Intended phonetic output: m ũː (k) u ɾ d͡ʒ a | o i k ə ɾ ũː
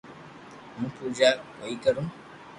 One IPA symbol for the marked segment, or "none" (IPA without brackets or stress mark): p